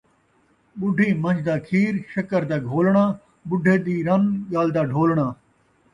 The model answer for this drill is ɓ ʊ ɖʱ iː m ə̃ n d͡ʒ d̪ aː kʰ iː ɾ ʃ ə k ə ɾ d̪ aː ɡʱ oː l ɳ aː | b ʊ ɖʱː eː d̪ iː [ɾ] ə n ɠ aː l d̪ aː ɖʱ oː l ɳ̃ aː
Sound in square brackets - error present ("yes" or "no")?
no